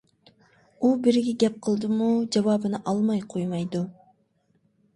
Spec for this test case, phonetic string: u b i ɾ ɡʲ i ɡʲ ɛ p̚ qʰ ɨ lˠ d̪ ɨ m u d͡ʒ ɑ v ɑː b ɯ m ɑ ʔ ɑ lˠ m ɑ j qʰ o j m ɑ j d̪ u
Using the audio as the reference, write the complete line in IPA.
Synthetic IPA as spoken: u b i ɾ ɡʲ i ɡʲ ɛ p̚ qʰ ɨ lˠ d̪ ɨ m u d͡ʒ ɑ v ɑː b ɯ n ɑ ʔ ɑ lˠ m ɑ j qʰ o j m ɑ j d̪ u